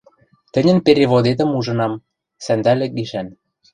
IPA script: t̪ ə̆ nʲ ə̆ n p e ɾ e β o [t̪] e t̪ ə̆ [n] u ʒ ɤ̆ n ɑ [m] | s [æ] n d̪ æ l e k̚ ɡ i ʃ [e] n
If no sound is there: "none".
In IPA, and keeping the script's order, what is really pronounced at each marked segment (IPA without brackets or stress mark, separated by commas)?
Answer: d̪, m, m, æ, æ